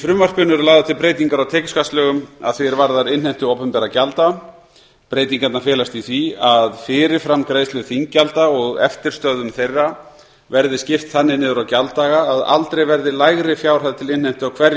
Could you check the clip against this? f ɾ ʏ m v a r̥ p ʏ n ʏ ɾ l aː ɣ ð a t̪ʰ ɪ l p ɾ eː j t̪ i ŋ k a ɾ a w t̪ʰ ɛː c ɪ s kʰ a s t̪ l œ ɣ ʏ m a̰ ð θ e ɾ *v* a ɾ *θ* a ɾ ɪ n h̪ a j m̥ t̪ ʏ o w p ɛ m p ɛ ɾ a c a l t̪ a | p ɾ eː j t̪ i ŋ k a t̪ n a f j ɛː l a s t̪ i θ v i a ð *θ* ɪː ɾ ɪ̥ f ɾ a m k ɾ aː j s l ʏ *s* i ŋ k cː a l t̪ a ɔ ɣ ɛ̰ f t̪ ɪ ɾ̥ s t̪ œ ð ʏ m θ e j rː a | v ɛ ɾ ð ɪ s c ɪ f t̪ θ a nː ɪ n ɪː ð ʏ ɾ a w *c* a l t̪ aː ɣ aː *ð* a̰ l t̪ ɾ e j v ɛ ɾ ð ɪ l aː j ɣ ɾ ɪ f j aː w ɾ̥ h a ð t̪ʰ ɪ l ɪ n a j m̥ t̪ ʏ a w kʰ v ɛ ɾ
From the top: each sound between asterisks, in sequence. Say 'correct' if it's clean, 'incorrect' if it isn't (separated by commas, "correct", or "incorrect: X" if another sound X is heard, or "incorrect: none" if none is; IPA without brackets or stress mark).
correct, incorrect: ð, incorrect: f, incorrect: θ, correct, correct